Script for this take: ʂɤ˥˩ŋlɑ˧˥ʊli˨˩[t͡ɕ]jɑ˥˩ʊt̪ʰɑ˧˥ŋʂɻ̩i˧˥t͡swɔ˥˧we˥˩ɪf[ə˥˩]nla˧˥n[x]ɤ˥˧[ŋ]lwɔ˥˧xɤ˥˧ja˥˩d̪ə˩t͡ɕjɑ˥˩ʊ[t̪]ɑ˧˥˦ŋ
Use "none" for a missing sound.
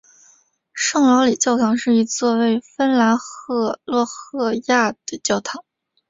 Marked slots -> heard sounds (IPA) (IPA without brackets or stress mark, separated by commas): t͡ɕ, ə˥, x, none, t̪ʰ